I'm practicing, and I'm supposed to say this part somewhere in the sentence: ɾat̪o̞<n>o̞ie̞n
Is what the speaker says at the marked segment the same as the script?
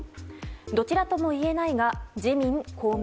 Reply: no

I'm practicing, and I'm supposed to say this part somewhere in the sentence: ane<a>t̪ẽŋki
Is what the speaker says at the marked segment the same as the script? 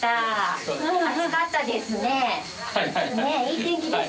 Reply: no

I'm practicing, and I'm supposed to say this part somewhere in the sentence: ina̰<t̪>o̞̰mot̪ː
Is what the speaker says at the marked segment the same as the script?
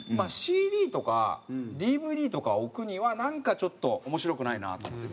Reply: yes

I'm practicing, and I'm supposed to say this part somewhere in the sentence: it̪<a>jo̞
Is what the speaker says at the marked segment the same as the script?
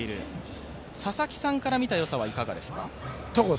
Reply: yes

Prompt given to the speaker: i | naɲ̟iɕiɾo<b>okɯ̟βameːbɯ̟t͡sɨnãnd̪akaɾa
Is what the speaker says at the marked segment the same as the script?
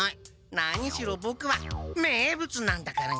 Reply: yes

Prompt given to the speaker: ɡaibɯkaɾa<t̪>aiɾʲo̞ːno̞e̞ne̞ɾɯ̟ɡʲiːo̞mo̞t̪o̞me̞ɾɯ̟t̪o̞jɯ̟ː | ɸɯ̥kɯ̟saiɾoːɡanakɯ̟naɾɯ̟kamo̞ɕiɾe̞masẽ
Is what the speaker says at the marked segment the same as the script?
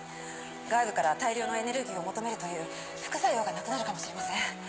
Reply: yes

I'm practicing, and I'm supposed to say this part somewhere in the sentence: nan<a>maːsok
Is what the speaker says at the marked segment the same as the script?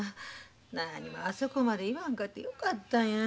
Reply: no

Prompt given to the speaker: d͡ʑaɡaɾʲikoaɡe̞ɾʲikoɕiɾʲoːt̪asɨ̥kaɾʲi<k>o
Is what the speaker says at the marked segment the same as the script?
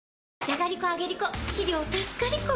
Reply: yes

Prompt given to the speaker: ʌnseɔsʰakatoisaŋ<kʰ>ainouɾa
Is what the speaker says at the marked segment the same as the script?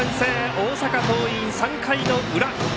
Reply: yes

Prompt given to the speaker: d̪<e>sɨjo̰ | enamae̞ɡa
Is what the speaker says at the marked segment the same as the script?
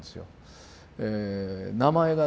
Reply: yes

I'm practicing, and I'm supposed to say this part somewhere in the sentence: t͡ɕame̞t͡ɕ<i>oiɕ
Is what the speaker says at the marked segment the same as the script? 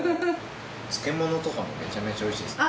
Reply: no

